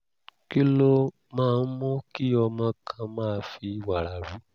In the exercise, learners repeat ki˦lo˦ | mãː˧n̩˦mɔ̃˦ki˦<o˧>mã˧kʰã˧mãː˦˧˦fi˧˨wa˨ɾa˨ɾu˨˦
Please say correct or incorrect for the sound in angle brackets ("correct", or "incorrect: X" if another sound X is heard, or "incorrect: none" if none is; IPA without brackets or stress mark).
incorrect: ɔ˧